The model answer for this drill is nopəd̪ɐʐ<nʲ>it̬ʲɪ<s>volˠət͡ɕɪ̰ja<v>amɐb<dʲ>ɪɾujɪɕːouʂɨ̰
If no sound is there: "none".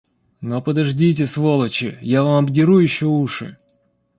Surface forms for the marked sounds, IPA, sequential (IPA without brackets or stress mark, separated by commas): dʲ, s, v, dʲ